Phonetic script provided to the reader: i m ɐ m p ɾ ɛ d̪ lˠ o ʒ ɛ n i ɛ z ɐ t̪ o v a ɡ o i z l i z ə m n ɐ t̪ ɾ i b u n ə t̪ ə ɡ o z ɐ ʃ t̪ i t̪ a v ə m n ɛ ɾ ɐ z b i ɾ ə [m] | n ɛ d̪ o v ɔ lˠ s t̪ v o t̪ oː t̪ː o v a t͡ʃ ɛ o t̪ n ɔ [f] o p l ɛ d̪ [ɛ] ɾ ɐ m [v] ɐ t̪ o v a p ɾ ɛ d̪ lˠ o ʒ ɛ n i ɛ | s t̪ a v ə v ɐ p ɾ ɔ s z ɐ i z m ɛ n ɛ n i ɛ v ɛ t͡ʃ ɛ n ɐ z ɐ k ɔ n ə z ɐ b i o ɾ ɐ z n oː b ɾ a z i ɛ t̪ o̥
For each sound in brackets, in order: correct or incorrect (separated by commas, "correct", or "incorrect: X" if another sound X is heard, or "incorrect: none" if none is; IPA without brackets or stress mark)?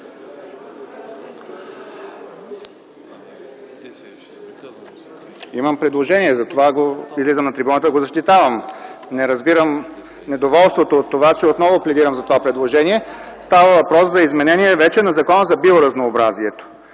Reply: correct, incorrect: v, incorrect: i, incorrect: z